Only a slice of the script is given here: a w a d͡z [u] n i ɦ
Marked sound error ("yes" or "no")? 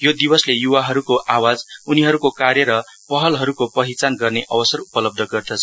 no